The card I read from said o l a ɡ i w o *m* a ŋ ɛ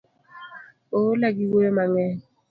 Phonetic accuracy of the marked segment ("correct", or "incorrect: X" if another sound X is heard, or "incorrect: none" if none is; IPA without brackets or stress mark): correct